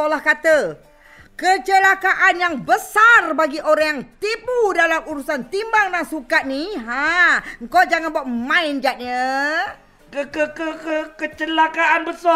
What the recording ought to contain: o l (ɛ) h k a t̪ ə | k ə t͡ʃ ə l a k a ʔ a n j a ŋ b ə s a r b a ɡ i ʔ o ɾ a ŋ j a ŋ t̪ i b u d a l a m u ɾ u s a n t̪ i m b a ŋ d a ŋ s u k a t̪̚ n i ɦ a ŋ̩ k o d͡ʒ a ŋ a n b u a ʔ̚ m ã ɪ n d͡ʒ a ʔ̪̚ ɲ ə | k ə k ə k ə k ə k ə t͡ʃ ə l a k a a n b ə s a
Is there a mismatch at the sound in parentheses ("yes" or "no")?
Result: yes